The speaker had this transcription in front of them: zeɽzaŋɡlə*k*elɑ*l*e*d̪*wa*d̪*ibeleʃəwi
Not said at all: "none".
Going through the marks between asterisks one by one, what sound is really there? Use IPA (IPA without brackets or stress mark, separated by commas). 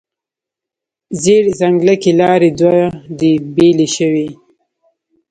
k, ɾ, d̪, d̪